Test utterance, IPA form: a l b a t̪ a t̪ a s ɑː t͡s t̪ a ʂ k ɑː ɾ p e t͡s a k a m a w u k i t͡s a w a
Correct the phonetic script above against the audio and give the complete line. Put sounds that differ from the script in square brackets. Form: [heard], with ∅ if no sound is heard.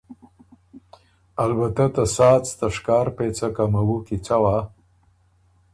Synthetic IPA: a l b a t̪ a t̪ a s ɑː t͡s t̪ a ʂ k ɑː ɾ p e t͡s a k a m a w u k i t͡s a w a